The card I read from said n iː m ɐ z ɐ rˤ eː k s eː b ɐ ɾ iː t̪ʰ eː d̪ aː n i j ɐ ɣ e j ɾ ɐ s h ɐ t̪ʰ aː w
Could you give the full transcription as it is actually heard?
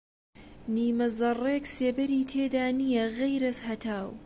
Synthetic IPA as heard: n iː m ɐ z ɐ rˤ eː k s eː b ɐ ɾ iː t̪ʰ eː d̪ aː n i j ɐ ɣ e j ɾ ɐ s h ɐ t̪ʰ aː w